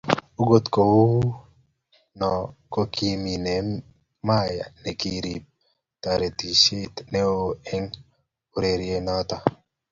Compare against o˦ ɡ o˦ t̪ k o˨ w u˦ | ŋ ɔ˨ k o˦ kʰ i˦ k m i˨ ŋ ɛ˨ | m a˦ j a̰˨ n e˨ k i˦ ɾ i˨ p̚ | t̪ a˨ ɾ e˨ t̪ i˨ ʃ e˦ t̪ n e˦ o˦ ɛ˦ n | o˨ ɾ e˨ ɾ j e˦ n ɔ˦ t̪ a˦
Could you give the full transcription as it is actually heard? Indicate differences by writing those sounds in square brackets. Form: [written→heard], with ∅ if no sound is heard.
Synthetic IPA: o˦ ɡ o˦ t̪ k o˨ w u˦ | [ŋ→n] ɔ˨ k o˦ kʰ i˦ [k→∅] m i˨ [ŋ→n] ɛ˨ | m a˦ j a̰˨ n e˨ k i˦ ɾ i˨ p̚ | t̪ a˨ ɾ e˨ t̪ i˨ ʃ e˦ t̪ n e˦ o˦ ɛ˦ [n→ŋ] | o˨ ɾ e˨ ɾ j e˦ n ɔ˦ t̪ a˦